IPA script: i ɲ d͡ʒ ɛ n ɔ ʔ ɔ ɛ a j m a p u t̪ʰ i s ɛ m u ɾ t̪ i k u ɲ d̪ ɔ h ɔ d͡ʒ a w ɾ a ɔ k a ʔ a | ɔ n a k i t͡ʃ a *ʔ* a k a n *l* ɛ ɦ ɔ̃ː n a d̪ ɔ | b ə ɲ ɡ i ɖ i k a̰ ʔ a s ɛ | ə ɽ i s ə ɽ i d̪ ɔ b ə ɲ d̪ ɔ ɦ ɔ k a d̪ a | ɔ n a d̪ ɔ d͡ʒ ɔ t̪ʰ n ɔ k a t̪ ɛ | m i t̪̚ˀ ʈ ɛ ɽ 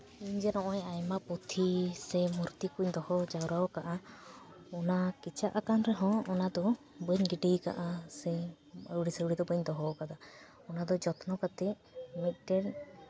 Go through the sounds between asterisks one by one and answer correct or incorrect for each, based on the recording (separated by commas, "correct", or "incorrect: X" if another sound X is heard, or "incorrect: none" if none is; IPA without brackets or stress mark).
correct, incorrect: ɾ